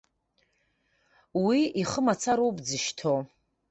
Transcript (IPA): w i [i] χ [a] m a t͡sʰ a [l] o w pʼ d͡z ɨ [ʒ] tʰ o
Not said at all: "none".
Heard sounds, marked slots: i, ə, ɾ, ʃ

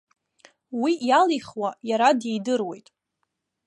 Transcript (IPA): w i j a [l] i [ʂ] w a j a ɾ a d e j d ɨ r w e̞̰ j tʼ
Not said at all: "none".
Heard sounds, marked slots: l, χ

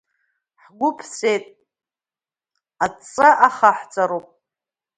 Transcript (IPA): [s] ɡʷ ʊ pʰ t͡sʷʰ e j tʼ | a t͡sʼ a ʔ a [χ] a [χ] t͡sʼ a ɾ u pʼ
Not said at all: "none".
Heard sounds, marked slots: ħ, χ, ħ

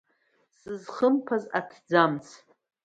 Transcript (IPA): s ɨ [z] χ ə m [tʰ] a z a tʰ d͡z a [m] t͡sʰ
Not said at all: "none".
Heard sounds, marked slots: z, pʰ, m

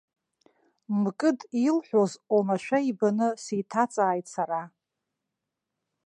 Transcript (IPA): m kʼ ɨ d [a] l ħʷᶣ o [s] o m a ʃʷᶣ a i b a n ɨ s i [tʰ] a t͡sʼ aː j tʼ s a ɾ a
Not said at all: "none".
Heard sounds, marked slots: i, z, tʰ

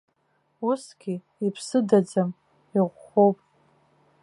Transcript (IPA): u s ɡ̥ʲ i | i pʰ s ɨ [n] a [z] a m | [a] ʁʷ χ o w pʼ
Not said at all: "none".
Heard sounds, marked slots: d, d͡z, i

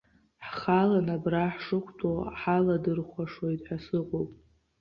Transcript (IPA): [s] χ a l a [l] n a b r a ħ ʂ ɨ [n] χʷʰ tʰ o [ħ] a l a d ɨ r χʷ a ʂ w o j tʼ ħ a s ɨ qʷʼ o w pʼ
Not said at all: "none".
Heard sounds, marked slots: ħ, none, none, ħ

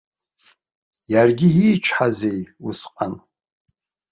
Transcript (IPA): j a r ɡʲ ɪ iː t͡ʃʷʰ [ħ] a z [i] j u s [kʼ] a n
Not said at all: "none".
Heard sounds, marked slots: ħ, e, qʼ

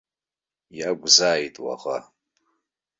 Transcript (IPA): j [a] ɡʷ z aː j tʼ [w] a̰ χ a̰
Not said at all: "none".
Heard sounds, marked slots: a, w

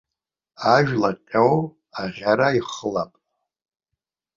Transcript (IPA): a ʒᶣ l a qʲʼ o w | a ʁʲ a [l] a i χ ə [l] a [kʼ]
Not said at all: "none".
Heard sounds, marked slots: ɾ, l, pʼ

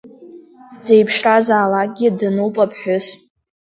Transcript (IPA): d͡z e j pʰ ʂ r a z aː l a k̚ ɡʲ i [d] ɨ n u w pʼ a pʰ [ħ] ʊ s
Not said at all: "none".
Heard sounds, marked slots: d, ħ

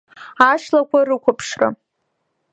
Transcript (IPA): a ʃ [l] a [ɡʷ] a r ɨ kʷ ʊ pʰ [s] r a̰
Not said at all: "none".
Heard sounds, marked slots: l, kʷ, ʂ

